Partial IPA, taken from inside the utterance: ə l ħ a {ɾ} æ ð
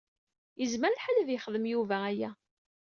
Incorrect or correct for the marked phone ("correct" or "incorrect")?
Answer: incorrect